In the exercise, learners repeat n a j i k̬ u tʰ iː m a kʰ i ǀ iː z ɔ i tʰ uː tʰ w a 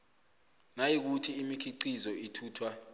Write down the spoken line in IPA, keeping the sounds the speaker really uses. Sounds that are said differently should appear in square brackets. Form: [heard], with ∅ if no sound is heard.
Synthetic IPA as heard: n a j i k̬ u tʰ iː m [i] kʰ i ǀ [i] z ɔ i tʰ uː tʰ w a